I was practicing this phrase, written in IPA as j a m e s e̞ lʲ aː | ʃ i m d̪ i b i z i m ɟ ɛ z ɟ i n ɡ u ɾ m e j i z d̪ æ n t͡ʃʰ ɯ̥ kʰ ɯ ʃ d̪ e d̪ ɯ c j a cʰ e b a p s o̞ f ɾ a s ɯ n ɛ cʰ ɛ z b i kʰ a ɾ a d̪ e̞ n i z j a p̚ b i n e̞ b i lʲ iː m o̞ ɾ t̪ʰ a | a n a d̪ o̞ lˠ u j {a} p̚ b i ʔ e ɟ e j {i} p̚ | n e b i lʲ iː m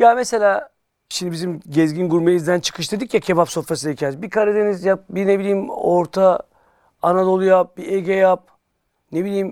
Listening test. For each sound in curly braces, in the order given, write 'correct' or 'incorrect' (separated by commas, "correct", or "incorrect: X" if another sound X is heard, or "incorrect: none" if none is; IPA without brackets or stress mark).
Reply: correct, incorrect: a